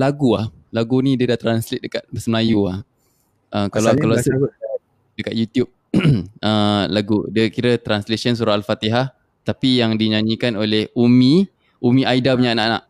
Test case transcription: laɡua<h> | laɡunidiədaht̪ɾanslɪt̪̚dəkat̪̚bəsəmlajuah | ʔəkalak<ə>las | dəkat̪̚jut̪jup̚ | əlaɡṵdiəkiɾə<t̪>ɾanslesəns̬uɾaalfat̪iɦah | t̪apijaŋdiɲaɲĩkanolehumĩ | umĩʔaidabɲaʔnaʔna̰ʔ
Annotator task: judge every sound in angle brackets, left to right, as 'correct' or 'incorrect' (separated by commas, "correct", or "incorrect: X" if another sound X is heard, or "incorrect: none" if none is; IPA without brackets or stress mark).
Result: correct, incorrect: a, correct